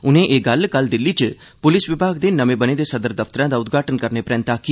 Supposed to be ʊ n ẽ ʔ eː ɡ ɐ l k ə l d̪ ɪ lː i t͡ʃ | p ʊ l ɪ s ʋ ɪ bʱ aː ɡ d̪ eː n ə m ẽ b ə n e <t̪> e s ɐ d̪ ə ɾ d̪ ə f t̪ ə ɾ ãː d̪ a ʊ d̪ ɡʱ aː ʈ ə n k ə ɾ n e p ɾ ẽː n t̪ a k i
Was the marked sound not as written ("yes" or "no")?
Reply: yes